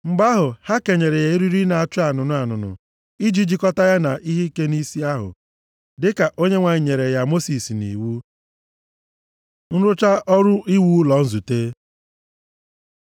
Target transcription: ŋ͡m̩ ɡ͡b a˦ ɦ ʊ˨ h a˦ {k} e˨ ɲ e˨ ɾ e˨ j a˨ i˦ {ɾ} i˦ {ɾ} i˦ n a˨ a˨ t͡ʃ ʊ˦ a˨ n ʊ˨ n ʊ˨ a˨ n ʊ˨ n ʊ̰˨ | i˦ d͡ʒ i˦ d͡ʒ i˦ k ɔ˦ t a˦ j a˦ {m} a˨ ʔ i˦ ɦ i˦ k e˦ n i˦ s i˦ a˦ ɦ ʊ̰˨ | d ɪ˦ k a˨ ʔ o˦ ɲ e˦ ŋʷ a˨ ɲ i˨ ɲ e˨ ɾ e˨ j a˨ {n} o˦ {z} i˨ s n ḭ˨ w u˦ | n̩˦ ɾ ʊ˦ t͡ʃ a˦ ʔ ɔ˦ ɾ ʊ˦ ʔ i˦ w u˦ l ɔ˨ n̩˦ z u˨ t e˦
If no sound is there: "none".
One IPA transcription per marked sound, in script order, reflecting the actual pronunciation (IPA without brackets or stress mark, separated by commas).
k, ɾ, ɾ, n, m, s